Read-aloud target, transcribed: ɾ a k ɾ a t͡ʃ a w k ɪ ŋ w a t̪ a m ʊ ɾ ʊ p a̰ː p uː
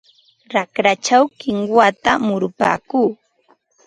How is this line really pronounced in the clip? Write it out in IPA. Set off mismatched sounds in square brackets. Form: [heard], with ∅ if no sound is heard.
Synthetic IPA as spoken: ɾ a k ɾ a t͡ʃ a w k ɪ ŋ w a t̪ a m ʊ ɾ ʊ p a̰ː [k] uː